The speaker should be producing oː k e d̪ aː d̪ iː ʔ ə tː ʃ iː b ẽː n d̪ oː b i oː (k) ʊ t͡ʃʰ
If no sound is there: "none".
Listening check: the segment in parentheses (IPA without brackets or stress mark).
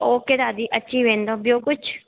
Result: k